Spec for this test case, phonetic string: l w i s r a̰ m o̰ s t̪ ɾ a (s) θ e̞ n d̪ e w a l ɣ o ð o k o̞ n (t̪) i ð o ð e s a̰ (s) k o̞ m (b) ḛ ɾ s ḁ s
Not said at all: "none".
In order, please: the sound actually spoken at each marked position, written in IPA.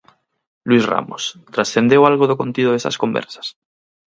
s, t̪, s, b

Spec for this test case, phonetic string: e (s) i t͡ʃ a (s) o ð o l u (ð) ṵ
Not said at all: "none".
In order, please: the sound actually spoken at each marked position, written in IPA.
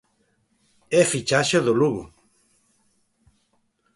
f, ʃ, ɣ

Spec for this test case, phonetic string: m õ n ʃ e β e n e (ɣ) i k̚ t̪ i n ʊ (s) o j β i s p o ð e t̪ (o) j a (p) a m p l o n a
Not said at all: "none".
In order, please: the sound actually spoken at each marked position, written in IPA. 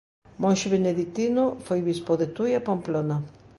ð, f, u, p

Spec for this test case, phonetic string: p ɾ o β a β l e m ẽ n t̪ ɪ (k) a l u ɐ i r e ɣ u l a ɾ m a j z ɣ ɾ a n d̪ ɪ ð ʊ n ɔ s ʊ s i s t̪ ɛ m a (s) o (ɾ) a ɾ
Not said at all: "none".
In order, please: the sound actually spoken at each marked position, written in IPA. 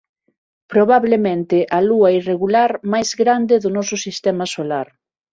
ʔ, s, l

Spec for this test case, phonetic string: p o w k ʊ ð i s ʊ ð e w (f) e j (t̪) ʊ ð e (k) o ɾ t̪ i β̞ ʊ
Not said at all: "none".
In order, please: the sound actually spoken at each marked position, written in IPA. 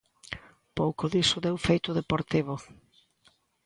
f, t̪, p

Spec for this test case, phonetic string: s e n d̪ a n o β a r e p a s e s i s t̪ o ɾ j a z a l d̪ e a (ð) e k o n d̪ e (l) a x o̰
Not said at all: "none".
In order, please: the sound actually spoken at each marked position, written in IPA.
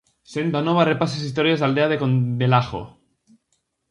ð, l

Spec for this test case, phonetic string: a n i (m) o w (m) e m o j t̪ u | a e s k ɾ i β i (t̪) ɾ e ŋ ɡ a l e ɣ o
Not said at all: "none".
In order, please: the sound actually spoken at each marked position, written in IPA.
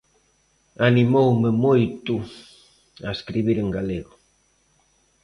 m, m, none

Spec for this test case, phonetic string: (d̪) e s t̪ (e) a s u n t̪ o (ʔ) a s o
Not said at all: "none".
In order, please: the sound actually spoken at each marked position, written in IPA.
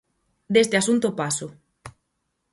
d̪, e, p

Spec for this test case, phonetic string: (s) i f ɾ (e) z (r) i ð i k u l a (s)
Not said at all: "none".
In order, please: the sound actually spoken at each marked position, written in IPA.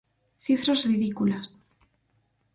θ, a, r, s

